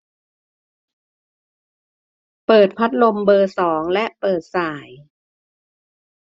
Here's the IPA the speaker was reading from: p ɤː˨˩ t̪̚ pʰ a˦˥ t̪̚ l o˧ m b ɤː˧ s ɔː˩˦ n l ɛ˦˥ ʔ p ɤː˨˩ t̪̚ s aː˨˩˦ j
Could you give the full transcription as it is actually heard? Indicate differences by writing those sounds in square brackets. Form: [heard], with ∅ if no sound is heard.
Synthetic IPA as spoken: p ɤː˨˩ t̪̚ pʰ a˦˥ t̪̚ l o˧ m b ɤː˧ s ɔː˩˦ [ŋ] l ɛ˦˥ ʔ p ɤː˨˩ t̪̚ s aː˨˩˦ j